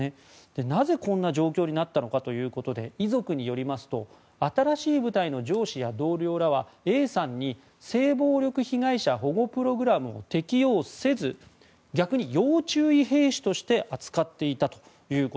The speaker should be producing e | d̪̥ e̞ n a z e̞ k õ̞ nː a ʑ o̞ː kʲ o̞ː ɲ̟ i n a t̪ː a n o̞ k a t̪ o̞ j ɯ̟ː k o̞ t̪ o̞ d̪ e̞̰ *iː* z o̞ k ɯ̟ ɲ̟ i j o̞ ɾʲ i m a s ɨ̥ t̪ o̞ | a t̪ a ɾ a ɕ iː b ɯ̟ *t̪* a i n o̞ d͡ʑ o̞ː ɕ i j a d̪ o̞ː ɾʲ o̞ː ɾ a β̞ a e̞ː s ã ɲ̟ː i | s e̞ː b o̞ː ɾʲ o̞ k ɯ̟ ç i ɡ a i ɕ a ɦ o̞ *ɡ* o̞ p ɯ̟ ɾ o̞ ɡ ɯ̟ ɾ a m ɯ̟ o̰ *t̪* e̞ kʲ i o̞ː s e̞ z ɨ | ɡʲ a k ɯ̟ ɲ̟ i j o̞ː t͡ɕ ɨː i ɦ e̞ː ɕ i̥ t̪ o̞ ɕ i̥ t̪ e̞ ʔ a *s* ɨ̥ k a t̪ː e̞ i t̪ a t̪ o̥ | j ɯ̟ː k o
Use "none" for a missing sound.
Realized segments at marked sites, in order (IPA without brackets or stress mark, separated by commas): i, t̪, ɡ, t̪, t͡s